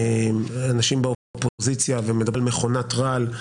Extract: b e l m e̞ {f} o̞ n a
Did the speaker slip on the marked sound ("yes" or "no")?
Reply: yes